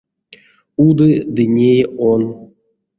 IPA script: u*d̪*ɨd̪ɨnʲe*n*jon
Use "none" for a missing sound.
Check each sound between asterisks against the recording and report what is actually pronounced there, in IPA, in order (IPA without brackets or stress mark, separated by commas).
d̪, none